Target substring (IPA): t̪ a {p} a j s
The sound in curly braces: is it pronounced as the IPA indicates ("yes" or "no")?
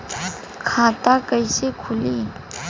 no